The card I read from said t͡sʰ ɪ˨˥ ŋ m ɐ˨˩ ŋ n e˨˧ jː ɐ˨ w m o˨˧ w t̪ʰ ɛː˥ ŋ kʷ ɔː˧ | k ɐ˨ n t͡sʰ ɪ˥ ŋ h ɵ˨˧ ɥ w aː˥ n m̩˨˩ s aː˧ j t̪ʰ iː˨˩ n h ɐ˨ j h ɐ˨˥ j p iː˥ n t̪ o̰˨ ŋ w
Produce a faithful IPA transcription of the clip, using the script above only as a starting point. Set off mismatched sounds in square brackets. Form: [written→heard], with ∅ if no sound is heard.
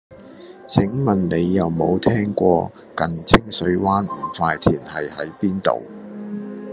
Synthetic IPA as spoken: t͡sʰ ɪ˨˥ ŋ m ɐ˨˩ [ŋ→n] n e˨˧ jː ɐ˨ w m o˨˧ w t̪ʰ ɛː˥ ŋ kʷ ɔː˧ | k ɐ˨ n t͡sʰ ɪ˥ ŋ [h→s] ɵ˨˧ ɥ w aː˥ n m̩˨˩ [s→f] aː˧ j t̪ʰ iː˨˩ n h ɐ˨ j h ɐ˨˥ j p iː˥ n t̪ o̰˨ [ŋ→∅] w